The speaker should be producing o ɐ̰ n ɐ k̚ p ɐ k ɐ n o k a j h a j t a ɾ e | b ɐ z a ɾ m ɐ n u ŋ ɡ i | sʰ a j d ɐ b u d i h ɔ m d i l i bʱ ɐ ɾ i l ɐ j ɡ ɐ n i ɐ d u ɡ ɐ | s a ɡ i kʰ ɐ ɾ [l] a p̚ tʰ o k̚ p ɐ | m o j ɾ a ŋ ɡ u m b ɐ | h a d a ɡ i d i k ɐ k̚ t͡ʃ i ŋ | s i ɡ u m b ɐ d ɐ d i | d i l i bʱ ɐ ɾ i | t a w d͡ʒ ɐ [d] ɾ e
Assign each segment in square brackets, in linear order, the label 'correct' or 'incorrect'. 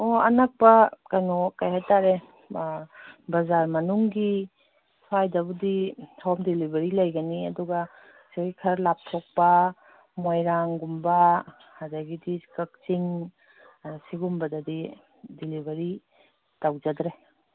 correct, correct

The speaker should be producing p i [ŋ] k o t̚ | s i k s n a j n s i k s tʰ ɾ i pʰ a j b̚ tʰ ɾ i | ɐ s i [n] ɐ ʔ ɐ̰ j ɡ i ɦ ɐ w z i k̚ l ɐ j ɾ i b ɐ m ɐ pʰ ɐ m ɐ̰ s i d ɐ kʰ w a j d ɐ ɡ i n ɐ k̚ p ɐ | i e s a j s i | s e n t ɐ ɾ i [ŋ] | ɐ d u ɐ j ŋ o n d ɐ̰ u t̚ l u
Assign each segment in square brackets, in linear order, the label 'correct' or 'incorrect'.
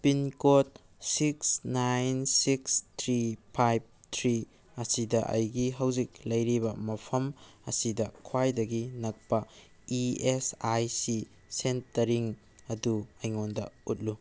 incorrect: n, incorrect: d, correct

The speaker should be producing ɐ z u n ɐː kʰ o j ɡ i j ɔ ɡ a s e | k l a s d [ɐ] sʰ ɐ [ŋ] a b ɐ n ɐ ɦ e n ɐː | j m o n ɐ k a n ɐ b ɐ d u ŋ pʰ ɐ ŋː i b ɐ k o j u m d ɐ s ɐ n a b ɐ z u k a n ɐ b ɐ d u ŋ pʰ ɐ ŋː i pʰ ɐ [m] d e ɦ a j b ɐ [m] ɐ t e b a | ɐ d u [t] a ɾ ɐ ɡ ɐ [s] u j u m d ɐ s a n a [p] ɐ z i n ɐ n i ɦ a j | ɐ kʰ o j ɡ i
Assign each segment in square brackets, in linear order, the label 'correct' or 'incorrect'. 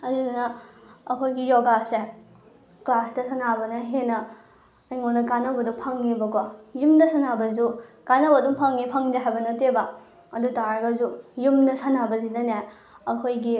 correct, incorrect: n, incorrect: ŋ, incorrect: n, correct, incorrect: z, incorrect: b

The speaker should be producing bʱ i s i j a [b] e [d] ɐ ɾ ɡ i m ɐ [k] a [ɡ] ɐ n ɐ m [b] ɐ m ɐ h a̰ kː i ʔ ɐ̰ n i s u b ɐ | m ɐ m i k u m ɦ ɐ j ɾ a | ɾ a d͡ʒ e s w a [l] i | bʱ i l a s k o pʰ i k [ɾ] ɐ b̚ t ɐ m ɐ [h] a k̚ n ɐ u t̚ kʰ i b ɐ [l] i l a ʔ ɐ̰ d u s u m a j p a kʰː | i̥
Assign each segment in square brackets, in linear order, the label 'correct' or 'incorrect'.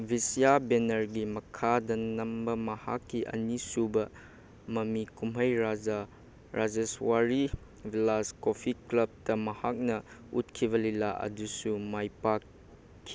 correct, incorrect: n, incorrect: kʰ, incorrect: d, correct, incorrect: ɾ, incorrect: l, correct, correct

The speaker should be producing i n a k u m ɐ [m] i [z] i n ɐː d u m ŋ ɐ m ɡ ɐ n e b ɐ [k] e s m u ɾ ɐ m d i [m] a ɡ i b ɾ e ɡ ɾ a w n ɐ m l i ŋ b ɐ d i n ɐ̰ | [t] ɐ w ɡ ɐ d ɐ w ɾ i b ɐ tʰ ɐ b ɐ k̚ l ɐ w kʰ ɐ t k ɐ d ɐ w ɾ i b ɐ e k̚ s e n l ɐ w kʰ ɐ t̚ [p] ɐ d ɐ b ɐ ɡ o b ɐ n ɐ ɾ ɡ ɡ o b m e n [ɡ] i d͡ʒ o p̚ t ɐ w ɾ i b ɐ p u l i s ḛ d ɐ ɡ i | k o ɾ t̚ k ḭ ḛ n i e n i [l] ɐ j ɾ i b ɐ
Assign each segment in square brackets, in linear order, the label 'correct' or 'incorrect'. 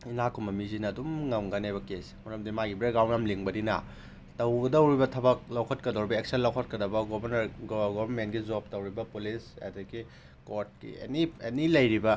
correct, correct, correct, correct, correct, incorrect: k, correct, correct

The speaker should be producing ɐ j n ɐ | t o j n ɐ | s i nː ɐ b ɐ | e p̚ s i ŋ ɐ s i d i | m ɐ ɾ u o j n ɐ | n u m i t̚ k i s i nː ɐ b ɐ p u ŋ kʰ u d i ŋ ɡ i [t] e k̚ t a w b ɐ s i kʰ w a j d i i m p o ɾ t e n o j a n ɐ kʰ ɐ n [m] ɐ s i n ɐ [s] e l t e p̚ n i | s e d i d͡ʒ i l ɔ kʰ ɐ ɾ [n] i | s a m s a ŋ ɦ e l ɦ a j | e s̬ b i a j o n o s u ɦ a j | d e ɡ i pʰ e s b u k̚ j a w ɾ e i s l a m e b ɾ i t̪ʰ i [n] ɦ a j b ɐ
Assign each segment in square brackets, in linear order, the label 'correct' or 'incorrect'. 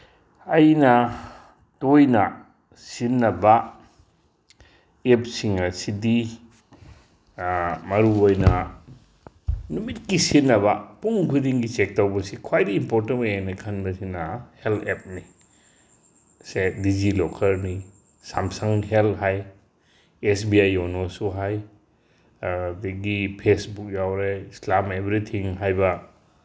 incorrect: t͡ʃ, incorrect: b, incorrect: h, correct, incorrect: ŋ

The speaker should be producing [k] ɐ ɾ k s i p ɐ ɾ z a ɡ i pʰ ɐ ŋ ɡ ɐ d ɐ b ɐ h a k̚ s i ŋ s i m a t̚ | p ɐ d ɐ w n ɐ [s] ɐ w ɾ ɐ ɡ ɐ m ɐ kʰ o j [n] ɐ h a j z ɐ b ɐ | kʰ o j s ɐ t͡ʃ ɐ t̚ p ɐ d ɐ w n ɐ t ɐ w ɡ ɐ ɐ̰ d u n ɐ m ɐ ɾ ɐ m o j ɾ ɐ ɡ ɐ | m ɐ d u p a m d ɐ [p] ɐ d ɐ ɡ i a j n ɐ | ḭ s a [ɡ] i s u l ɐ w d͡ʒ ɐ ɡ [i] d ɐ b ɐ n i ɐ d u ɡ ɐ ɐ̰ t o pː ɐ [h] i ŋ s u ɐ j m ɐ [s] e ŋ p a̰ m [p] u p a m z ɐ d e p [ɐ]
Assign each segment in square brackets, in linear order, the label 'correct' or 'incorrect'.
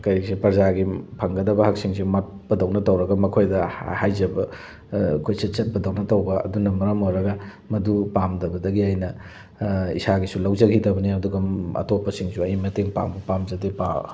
correct, incorrect: t, incorrect: d, incorrect: b, correct, correct, incorrect: s, incorrect: t, incorrect: b, incorrect: a

